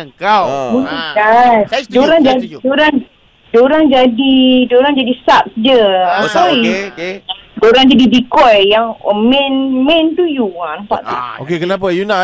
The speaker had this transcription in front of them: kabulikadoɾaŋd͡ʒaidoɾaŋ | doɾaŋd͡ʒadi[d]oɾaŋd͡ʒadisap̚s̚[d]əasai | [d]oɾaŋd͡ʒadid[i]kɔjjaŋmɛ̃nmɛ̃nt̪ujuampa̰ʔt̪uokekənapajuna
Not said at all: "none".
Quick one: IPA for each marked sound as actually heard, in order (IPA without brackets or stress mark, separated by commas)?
d, d͡ʒ, d, i